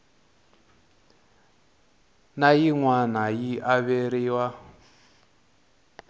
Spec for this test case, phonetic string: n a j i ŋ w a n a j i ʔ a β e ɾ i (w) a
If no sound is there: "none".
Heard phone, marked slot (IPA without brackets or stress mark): w